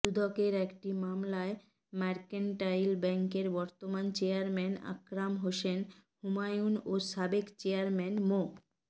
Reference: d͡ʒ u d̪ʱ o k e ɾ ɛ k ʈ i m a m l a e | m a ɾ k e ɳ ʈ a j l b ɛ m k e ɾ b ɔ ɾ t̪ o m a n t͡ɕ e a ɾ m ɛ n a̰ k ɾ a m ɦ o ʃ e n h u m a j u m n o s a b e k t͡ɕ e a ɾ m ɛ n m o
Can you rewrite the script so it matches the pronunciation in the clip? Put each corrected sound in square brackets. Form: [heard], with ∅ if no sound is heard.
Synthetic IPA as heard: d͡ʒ u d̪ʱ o k e ɾ ɛ k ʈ i m a m l a e | m a ɾ k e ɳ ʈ a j l b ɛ [ŋ] k e ɾ b ɔ ɾ t̪ o m a n t͡ɕ e a ɾ m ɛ n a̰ k ɾ a m ɦ o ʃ e n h u m a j u [∅] n o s a b e k t͡ɕ e a ɾ m ɛ n m o